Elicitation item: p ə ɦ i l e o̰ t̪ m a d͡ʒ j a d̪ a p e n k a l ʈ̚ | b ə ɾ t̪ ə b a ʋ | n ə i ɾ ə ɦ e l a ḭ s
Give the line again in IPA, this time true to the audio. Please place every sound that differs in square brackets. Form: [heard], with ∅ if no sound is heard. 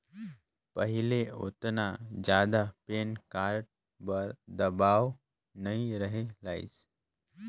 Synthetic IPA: p ə ɦ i l e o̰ t̪ [n] a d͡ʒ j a d̪ a p e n k a [ɾ] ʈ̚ | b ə ɾ [d̪] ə b a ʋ | n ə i ɾ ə ɦ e l a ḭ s